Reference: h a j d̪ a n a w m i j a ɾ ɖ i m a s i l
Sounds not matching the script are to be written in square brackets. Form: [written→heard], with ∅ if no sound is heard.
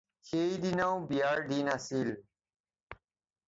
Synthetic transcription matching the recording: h [a→e] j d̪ [a→i] n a w [m→b] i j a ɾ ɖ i [m→n] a s i l